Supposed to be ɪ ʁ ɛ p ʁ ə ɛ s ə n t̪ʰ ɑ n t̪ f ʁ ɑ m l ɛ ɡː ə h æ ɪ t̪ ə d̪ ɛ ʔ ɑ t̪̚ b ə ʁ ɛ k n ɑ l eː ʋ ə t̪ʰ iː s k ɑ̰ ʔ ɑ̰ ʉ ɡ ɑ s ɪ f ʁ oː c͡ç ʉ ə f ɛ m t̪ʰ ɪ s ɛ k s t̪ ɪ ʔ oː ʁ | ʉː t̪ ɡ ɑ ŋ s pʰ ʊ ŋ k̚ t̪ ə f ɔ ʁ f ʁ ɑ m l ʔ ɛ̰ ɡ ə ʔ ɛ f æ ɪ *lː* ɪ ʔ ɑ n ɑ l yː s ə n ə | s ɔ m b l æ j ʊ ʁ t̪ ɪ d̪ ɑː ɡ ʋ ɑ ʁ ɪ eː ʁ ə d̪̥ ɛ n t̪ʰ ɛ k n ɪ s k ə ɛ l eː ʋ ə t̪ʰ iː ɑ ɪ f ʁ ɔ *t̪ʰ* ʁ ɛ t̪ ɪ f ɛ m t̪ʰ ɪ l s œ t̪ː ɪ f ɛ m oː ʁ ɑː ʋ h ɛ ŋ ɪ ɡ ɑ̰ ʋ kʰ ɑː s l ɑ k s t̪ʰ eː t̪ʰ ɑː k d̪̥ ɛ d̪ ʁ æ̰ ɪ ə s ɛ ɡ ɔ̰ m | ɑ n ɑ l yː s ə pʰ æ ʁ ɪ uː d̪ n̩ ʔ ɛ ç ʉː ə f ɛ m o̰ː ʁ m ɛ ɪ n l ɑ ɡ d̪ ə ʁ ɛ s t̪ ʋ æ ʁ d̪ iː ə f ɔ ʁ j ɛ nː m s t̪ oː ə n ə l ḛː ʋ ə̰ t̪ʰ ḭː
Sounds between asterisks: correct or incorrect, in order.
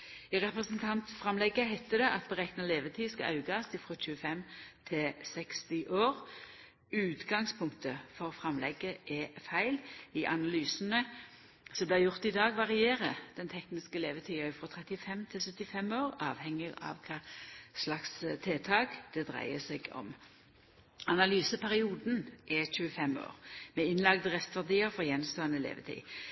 incorrect: l, correct

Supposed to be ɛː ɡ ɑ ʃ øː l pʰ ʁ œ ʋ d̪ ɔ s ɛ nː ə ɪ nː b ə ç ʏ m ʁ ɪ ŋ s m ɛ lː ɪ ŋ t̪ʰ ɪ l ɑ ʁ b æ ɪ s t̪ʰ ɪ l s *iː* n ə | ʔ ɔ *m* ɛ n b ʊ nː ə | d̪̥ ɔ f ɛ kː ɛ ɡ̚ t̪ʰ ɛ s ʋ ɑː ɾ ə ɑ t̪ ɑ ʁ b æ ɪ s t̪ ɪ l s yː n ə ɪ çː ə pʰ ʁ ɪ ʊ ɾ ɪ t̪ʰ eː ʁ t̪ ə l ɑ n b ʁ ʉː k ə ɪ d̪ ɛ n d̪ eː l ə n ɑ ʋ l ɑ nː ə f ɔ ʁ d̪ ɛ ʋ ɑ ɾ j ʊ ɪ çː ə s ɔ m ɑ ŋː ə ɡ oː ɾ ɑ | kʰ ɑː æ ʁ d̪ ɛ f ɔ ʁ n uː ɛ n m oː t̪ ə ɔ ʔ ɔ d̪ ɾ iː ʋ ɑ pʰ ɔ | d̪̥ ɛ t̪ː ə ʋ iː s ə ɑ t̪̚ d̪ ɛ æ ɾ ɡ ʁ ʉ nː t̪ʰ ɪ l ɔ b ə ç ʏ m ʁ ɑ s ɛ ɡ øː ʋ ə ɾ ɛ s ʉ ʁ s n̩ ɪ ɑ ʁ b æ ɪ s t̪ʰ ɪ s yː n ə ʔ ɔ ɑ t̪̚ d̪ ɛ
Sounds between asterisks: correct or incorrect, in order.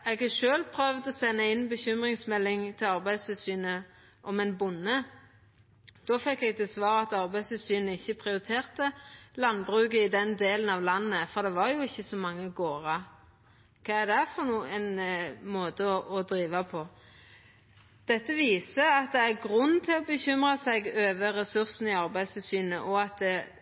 incorrect: yː, correct

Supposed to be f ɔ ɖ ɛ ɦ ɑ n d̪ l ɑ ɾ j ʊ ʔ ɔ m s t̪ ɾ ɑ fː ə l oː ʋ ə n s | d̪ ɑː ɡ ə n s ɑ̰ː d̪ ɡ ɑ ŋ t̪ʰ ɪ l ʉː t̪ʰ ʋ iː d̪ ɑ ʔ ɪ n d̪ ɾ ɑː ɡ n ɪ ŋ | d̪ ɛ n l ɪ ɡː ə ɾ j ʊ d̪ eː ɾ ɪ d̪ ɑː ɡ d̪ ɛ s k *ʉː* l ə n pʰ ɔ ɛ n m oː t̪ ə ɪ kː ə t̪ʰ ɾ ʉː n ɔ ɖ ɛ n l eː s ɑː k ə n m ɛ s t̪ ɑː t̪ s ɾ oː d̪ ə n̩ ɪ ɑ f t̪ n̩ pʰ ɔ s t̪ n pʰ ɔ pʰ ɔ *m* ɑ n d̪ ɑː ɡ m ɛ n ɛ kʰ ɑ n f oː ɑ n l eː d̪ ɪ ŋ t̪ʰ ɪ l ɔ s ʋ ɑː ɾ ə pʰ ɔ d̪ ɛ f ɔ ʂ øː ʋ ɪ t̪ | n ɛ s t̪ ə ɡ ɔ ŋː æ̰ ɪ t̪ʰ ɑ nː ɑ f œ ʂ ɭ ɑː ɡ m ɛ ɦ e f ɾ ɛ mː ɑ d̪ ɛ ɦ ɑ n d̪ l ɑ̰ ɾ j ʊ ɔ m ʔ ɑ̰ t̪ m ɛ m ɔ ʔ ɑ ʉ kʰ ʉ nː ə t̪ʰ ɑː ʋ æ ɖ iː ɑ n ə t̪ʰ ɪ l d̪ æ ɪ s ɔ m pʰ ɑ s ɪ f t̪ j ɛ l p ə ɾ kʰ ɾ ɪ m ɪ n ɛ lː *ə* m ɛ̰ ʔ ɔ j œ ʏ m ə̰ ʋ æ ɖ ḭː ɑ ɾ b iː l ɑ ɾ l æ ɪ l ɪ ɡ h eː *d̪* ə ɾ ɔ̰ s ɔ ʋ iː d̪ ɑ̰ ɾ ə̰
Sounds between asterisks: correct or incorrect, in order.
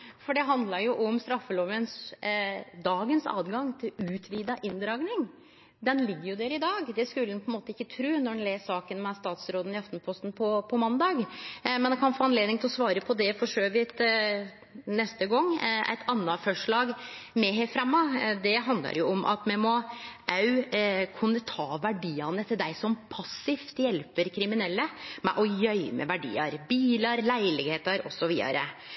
incorrect: ʉ, correct, correct, incorrect: t̪

